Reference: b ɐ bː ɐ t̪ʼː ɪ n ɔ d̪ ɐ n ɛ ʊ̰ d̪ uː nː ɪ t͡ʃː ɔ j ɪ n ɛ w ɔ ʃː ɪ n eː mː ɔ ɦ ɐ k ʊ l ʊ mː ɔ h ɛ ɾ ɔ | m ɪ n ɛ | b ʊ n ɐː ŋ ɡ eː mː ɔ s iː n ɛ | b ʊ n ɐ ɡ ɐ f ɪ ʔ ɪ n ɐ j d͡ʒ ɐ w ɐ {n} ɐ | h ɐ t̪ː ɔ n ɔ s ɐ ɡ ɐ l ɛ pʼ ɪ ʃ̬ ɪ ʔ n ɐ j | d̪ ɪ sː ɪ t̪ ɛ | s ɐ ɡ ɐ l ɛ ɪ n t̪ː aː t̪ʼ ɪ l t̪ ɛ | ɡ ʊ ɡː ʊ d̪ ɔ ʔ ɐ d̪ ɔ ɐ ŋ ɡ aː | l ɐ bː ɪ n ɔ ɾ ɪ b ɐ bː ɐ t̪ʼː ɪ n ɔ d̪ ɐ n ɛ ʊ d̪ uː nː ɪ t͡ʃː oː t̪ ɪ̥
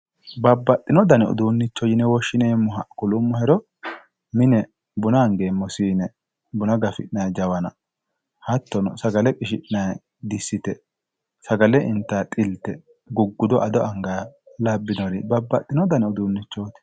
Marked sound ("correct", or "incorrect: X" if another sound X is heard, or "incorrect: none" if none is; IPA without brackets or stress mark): correct